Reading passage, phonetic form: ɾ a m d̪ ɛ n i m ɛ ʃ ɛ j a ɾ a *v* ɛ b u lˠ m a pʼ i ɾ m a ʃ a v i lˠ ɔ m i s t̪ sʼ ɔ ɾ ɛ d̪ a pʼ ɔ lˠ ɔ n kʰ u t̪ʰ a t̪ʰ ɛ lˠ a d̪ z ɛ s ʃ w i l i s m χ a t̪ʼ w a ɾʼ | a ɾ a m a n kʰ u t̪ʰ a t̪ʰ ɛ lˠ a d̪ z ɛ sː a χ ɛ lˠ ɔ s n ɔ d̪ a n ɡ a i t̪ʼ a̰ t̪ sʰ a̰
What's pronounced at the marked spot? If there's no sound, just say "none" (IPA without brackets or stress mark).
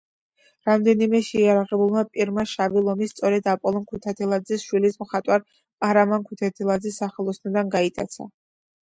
ʁ